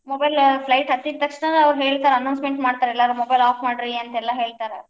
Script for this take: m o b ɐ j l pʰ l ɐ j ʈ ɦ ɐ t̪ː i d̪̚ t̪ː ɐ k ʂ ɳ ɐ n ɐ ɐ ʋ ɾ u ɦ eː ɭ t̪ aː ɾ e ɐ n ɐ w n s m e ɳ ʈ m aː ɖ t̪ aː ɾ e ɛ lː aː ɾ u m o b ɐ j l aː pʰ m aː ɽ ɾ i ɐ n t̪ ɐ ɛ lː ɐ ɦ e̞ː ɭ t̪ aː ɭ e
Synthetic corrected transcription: m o b ɐ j l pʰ l ɐ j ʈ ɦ ɐ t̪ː i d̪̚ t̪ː ɐ k ʂ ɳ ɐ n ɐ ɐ ʋ ɾ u ɦ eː ɭ t̪ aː ɾ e ɐ n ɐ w n s m e ɳ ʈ m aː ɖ t̪ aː ɾ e ɛ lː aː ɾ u m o b ɐ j l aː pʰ m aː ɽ ɾ i ɐ n t̪ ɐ ɛ lː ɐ ɦ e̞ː ɭ t̪ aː ɾ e